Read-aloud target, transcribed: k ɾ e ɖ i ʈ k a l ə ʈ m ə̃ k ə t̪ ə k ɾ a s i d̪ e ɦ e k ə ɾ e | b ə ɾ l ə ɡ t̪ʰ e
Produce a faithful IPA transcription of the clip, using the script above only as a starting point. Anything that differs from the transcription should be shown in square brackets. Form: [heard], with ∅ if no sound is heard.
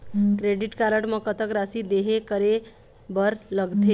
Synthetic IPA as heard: k ɾ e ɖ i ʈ k a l ə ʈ m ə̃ k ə t̪ ə k ɾ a s i d̪ e ɦ e k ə ɾ e | b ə ɾ l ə ɡ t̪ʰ e